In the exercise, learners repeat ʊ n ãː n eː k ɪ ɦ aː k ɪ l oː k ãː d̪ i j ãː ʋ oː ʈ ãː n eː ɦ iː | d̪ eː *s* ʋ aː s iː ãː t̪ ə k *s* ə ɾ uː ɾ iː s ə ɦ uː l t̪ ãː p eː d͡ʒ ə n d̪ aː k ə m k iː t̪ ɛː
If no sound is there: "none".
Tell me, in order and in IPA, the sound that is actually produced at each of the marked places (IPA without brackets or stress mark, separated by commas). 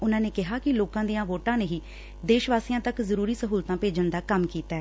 ʃ, z